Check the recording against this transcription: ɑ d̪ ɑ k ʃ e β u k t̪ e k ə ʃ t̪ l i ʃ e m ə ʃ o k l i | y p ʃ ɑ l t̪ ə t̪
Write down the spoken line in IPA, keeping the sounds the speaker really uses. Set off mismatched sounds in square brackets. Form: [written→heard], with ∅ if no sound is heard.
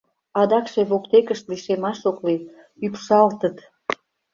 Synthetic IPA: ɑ d̪ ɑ k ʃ e β [u→o] k t̪ e k ə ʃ t̪ l i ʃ e m [ə→ɑ] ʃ o k l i | y p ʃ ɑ l t̪ ə t̪